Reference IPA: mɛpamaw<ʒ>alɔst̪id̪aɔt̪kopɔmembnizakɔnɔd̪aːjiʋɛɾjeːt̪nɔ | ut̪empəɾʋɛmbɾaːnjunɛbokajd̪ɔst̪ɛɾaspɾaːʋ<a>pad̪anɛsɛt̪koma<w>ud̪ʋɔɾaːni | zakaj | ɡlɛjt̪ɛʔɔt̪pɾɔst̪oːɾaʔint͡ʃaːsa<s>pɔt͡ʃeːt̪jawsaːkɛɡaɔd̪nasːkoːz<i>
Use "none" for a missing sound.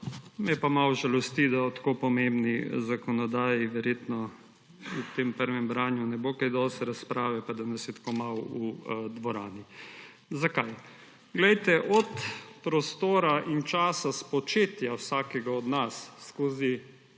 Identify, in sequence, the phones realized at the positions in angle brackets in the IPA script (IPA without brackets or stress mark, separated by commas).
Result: ʒ, ɛ, w, s, i